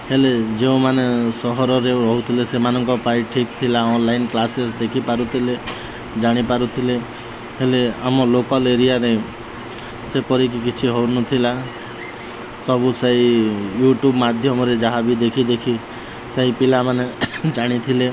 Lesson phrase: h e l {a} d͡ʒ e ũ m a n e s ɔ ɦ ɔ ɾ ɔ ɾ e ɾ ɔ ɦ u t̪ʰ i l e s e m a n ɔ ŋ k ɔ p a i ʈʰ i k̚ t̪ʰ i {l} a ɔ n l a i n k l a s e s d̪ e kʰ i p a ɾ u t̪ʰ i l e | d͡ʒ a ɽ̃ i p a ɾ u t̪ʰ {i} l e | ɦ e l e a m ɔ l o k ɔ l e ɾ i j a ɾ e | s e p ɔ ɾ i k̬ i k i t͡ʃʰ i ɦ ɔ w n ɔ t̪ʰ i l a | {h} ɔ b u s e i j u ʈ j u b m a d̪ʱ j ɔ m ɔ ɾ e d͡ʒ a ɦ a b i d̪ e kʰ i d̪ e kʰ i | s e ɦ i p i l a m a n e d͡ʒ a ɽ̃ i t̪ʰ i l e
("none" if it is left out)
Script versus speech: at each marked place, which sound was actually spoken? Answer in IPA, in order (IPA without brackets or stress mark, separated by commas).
e, l, i, s